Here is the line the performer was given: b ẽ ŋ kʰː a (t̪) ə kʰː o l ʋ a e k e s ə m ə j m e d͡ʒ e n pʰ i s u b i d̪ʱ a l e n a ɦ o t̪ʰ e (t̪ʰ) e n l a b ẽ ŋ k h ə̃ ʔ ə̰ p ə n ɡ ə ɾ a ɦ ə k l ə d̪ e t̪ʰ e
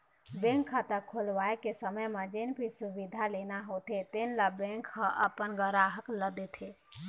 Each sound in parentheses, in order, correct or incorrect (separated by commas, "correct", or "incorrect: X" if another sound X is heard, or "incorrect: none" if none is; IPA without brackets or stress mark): correct, incorrect: t̪